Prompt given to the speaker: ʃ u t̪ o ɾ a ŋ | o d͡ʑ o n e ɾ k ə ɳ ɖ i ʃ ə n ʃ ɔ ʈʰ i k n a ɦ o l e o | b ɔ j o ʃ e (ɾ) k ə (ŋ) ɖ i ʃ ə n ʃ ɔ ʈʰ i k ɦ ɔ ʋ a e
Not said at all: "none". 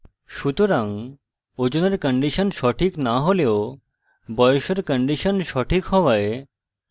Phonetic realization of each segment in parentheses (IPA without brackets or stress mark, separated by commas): ɾ, ɳ